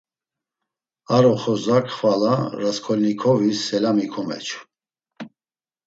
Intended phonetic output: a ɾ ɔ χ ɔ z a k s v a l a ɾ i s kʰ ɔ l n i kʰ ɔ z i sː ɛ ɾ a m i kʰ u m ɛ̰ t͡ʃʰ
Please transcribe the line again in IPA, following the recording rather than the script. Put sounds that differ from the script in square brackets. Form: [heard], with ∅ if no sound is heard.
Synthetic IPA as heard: a ɾ ɔ χ ɔ z a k [χ] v a l a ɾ [a] s kʰ ɔ l n i kʰ ɔ [v] i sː ɛ [l] a m i kʰ [ɔ] m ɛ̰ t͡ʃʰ